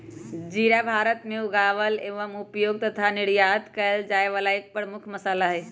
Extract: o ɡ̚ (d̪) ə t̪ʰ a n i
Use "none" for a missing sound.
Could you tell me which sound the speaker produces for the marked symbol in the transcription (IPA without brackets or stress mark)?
t̪